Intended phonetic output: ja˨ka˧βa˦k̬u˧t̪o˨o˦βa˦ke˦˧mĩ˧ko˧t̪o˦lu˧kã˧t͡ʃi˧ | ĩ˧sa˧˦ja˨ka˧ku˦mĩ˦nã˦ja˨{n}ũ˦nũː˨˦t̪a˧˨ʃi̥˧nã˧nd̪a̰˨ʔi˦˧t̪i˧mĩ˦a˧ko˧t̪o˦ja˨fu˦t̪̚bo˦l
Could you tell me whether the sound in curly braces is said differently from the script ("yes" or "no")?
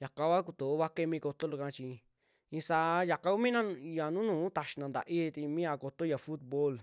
no